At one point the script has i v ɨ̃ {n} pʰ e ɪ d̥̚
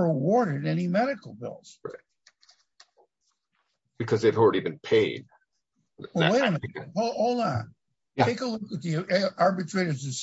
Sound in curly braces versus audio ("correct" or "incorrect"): correct